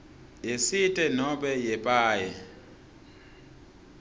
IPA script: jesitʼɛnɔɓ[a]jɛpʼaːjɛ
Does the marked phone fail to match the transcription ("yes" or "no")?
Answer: yes